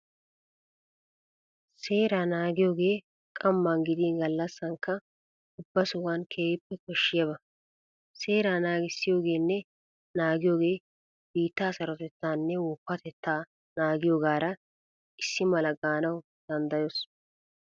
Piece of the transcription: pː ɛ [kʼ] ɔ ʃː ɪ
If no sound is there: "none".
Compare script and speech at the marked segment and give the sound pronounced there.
k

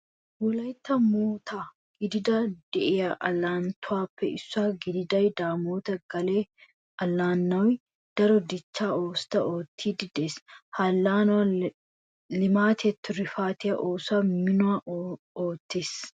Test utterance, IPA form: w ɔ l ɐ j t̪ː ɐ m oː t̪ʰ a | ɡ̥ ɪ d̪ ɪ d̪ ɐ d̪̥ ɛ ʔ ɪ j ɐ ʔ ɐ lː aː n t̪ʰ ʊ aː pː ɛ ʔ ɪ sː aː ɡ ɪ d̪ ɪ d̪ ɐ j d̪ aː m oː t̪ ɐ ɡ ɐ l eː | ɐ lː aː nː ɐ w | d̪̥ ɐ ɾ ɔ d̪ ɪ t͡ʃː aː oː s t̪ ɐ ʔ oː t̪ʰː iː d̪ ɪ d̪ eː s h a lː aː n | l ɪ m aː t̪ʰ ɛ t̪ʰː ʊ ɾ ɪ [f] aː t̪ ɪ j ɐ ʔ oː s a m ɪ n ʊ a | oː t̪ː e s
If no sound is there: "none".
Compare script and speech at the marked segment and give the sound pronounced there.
f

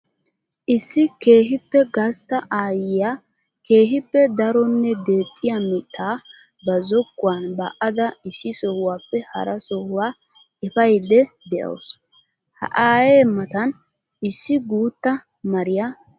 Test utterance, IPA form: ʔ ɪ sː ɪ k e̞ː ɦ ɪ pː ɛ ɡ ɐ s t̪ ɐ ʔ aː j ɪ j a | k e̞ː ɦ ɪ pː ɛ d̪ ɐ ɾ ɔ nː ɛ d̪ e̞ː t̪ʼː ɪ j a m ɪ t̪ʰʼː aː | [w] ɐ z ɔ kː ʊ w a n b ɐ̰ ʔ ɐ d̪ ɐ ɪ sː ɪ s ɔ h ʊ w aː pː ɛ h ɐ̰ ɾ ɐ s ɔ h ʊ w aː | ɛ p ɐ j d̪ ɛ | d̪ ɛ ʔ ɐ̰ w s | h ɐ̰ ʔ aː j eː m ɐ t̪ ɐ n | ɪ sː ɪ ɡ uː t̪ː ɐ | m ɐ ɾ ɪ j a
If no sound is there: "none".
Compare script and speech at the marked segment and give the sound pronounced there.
b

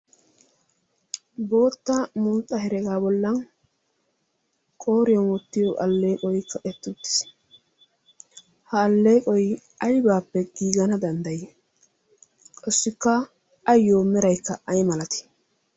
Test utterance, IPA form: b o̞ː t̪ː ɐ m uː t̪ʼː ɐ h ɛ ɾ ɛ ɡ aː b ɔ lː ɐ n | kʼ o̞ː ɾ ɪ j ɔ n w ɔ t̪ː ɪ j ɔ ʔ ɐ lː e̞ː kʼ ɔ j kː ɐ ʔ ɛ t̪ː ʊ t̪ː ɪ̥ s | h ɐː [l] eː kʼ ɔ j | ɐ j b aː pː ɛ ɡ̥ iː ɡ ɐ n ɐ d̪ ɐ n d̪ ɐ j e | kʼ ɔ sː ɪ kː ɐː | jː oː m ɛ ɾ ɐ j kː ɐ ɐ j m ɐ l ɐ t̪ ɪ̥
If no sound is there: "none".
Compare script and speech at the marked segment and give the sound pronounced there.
lː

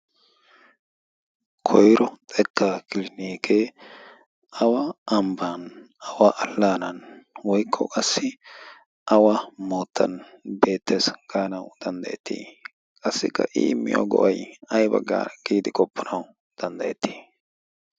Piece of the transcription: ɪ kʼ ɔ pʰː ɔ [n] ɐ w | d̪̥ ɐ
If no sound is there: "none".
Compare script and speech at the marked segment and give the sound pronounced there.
n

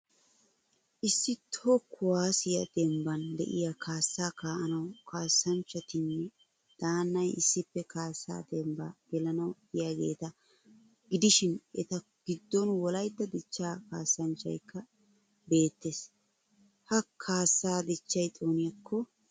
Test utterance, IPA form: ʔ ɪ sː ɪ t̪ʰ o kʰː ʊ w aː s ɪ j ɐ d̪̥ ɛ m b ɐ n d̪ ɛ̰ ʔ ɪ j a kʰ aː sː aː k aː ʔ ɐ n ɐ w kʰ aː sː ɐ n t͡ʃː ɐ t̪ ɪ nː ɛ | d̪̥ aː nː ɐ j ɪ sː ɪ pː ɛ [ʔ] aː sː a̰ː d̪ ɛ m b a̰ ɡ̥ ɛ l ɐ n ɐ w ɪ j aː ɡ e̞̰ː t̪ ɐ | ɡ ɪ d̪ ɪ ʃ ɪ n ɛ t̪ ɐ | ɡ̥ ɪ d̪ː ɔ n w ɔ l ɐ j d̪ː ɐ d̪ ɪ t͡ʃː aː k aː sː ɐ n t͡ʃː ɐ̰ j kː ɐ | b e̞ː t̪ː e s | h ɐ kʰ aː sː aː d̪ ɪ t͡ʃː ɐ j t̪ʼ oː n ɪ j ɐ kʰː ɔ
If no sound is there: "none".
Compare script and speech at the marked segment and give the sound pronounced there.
k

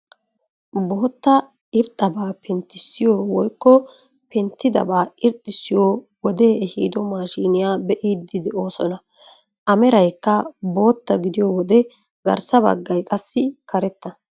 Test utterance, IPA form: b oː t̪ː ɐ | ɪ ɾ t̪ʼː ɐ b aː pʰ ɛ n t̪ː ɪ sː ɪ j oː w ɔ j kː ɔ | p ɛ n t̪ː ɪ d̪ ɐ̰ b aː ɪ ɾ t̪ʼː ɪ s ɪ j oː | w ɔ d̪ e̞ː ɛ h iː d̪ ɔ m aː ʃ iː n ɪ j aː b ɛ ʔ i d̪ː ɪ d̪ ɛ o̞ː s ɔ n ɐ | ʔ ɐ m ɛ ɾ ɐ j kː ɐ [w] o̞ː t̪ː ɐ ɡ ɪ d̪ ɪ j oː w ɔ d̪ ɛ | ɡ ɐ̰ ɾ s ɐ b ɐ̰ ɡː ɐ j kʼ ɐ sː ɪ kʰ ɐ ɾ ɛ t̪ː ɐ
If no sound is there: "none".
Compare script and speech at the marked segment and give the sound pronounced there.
b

